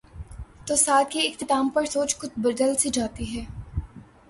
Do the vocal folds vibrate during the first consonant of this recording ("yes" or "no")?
no